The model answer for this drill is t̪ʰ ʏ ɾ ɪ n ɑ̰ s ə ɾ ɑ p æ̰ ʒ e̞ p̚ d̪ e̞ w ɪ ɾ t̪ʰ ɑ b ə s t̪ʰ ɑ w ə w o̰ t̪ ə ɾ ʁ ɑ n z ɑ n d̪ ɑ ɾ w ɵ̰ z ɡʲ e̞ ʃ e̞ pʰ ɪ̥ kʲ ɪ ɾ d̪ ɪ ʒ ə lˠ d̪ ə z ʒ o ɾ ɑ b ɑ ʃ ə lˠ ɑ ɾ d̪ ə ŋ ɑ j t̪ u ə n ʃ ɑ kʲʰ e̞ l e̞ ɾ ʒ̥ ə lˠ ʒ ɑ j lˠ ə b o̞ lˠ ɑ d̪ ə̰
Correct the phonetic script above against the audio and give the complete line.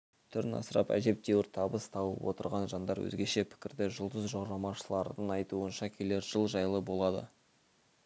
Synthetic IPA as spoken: t̪ʰ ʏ ɾ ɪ n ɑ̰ s ə ɾ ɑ p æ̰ ʒ e̞ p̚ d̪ e̞ w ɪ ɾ t̪ʰ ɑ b ə s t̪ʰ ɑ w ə w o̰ t̪ ə ɾ ʁ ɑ n ʒ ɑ n d̪ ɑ ɾ w ɵ̰ z ɡʲ e̞ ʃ e̞ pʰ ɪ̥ kʲ ɪ ɾ d̪ ɪ ʒ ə lˠ d̪ ə z ʒ o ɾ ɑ m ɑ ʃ ə lˠ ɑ ɾ d̪ ə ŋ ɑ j t̪ u ə n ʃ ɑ kʲʰ e̞ l e̞ ɾ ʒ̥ ə lˠ ʒ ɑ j lˠ ə b o̞ lˠ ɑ d̪ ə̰